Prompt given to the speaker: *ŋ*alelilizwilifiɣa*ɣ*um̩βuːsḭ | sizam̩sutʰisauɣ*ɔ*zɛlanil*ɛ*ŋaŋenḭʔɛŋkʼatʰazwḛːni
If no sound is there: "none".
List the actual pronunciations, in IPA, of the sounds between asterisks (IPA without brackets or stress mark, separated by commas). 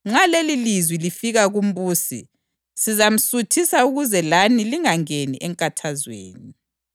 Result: ŋ͡ǁ, ɣ, u, i